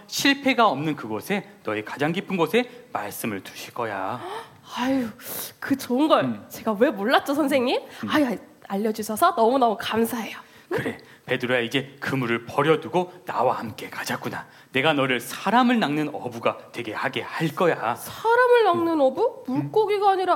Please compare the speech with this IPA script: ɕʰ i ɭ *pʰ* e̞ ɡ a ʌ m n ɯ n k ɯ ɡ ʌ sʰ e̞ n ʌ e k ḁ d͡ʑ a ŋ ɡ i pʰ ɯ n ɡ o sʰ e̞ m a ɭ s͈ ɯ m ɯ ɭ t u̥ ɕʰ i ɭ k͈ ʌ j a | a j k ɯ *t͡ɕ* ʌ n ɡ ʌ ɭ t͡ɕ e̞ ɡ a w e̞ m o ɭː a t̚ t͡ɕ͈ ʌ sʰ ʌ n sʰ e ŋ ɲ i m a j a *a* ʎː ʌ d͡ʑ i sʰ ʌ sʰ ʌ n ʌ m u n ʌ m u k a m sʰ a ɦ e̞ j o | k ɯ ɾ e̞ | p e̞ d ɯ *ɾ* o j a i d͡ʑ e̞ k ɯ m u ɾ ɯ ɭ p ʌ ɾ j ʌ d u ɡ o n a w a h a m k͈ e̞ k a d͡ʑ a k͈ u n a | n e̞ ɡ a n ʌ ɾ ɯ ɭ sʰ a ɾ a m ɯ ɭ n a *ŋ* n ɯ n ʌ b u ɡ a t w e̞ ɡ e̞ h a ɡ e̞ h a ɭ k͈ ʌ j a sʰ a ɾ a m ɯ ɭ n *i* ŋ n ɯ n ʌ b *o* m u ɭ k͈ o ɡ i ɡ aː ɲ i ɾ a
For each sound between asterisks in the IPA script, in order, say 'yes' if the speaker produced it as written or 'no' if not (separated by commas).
yes, yes, yes, yes, yes, no, no